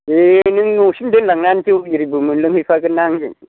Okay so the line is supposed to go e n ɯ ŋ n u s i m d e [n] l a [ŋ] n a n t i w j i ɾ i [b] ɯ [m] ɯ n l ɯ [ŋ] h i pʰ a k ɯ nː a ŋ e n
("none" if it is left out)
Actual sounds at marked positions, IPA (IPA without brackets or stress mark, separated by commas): n, ŋ, b, m, ŋ